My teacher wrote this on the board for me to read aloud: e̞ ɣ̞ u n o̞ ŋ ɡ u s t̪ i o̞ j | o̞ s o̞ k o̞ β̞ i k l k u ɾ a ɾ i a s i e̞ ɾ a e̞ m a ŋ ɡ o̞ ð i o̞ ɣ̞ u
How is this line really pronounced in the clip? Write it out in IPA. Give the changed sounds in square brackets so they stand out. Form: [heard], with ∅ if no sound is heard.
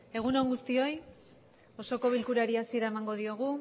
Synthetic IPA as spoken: e̞ ɣ̞ u n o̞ ŋ ɡ u s t̪ i o̞ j | o̞ s o̞ k o̞ β̞ i [∅] l k u ɾ a ɾ i a s i e̞ ɾ a e̞ m a ŋ ɡ o̞ ð i o̞ ɣ̞ u